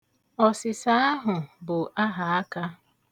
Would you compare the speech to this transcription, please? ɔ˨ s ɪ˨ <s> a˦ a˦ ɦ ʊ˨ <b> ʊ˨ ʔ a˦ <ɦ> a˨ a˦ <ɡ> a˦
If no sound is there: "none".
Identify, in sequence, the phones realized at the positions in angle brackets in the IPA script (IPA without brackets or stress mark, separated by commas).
s, b, ɦ, k